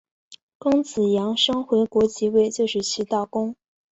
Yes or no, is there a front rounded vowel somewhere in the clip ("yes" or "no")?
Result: no